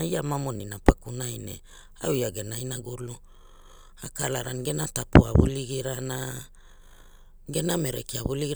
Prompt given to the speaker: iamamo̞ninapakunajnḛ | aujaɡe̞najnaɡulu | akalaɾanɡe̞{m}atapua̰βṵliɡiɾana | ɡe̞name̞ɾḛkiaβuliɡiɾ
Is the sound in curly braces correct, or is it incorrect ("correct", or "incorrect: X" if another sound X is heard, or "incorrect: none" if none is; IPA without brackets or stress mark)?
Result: incorrect: n